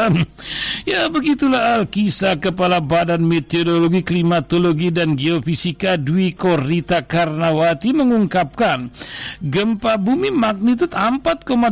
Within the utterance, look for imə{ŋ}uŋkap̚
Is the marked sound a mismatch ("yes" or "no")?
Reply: no